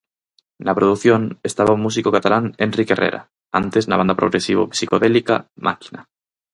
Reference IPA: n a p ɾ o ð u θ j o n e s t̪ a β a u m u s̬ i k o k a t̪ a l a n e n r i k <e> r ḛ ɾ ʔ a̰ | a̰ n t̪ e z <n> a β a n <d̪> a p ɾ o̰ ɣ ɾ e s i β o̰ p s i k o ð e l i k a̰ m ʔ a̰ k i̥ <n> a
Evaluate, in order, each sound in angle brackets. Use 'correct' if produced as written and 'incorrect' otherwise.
correct, correct, correct, correct

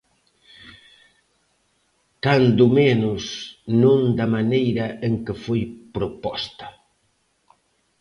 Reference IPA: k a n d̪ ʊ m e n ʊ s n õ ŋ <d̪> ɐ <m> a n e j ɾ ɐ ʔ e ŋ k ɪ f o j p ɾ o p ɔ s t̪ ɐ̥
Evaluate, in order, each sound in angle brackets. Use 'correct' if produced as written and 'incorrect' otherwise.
correct, correct

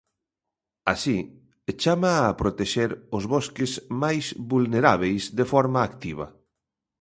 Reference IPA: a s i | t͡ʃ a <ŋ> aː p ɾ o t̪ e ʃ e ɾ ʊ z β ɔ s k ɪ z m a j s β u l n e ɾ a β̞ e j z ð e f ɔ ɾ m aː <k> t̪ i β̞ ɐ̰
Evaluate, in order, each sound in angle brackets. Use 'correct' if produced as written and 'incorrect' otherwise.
incorrect, correct

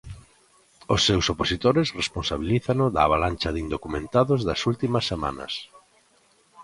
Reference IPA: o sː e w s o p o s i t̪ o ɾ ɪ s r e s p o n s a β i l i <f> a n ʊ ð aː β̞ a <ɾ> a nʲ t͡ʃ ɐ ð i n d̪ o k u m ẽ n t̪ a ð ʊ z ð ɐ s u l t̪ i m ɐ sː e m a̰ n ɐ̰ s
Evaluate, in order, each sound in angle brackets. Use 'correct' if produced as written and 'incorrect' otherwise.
incorrect, incorrect

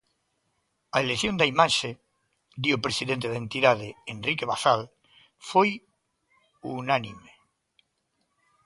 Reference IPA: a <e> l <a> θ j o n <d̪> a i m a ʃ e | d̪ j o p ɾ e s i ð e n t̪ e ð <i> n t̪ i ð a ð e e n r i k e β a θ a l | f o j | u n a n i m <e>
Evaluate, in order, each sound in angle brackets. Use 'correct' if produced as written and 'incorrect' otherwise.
correct, incorrect, correct, incorrect, correct

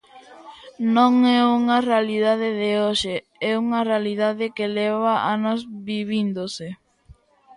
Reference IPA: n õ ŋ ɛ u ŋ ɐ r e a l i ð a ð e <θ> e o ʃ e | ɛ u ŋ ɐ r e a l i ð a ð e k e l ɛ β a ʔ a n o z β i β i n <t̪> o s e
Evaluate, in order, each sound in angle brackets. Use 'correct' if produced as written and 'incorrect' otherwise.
incorrect, incorrect

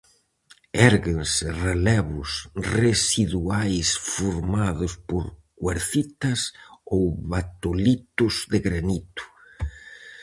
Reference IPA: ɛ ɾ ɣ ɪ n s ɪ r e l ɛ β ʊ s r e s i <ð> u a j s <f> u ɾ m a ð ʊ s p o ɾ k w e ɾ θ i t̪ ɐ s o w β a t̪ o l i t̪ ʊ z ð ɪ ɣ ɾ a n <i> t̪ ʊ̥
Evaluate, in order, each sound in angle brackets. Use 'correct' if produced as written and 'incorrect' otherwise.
correct, correct, correct

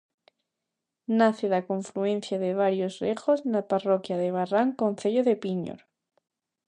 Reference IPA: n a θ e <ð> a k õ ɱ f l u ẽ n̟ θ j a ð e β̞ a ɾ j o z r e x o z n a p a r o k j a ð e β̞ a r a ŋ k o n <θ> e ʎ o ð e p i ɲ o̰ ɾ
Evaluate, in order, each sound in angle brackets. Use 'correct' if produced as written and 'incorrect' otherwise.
correct, correct

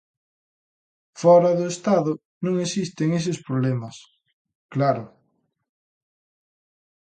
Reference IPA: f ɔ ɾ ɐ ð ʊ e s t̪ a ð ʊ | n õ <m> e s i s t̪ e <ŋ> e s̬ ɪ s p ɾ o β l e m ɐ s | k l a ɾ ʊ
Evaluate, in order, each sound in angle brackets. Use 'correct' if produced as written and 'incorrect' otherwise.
incorrect, correct

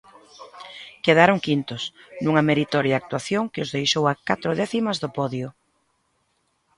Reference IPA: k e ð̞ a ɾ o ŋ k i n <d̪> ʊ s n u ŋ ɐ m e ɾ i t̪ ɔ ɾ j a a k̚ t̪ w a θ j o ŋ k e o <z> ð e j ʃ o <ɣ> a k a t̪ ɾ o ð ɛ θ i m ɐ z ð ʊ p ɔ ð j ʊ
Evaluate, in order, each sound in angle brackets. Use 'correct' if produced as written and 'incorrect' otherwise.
incorrect, correct, incorrect

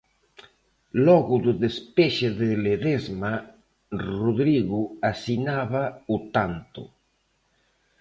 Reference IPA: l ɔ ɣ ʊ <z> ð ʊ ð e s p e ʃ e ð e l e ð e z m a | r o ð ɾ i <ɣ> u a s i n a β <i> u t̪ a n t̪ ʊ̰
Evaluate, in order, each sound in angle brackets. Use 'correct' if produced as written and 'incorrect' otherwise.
incorrect, correct, incorrect

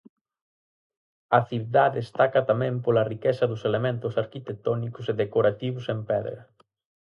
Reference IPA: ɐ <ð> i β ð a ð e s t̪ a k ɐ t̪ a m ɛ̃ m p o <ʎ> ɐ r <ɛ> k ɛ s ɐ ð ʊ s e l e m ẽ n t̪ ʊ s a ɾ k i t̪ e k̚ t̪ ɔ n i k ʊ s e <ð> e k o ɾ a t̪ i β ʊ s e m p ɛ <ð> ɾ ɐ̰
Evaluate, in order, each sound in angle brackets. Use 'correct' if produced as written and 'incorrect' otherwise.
incorrect, incorrect, incorrect, correct, correct

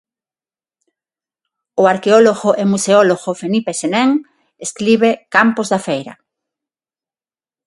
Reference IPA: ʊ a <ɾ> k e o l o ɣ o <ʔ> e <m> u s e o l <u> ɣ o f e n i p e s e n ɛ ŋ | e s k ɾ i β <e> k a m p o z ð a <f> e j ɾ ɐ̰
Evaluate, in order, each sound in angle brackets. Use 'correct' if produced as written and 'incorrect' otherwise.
correct, correct, correct, incorrect, correct, correct

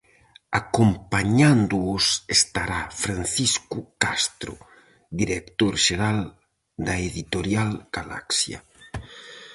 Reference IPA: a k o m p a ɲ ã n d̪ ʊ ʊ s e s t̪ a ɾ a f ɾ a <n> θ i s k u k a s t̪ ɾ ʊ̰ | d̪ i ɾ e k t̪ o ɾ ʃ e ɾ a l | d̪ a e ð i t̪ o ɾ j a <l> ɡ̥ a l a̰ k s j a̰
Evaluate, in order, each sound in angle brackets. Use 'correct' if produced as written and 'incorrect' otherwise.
correct, correct

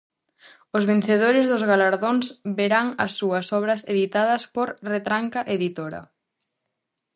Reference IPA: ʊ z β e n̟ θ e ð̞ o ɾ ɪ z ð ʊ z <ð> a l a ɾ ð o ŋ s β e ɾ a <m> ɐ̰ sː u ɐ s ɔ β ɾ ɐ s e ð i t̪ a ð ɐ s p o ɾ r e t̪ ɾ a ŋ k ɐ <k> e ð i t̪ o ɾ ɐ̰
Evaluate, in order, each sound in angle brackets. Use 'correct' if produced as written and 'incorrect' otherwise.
incorrect, incorrect, incorrect

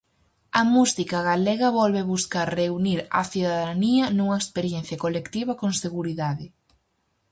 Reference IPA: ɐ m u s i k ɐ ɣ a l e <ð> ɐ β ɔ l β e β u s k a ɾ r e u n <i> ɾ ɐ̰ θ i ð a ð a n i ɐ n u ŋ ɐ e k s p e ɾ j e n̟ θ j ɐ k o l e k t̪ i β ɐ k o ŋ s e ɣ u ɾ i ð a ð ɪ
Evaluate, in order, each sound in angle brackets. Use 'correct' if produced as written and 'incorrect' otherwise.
incorrect, correct

